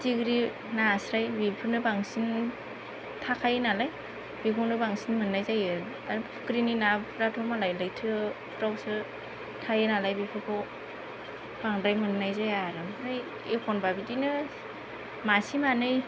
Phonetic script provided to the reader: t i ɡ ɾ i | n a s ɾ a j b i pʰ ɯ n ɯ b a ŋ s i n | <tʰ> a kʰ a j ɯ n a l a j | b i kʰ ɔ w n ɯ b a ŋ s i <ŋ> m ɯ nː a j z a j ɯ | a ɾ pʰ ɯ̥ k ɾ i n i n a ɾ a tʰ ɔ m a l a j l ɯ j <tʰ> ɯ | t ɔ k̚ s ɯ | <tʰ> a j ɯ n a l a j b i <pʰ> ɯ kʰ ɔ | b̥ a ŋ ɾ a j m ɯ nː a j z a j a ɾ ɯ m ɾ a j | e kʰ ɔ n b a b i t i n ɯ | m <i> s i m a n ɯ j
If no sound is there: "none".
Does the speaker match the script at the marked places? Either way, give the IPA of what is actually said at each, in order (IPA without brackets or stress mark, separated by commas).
tʰ, n, tʰ, tʰ, pʰ, a